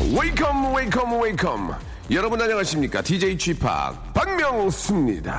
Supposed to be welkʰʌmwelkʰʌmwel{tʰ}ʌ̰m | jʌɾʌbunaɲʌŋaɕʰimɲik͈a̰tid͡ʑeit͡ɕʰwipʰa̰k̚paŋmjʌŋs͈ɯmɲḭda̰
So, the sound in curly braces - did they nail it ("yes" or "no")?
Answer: no